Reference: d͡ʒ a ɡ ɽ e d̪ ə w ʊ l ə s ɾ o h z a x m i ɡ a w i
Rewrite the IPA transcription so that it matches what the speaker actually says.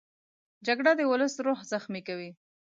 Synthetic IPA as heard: d͡ʒ a ɡ ɽ a d̪ ə w ʊ l ə s ɾ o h z a x m i k a w i